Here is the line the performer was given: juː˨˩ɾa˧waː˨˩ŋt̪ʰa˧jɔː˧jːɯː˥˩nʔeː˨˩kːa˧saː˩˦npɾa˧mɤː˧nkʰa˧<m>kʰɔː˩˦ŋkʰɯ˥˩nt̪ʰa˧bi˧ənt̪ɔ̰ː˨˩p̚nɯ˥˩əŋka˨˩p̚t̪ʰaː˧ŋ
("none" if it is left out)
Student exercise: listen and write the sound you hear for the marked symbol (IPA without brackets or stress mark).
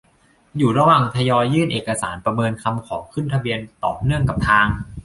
m